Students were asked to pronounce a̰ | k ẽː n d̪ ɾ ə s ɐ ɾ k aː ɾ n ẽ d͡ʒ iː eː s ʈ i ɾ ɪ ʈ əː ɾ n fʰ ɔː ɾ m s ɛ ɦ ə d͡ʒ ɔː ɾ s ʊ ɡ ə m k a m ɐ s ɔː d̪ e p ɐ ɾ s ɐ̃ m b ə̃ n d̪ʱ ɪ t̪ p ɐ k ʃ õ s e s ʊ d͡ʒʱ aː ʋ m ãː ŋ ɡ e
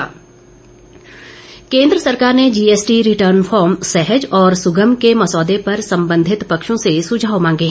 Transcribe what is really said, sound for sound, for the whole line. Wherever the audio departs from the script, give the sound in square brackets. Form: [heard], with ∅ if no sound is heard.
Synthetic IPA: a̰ | k ẽː n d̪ ɾ ə s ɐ ɾ k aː ɾ n [e] d͡ʒ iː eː s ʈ i ɾ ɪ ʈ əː ɾ n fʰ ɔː ɾ m s ɛ ɦ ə d͡ʒ ɔː ɾ s ʊ ɡ ə m k [e] m ɐ s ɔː d̪ e p ɐ ɾ s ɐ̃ m b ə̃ n d̪ʱ ɪ t̪ p ɐ k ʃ õ s e s ʊ d͡ʒʱ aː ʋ m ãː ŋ ɡ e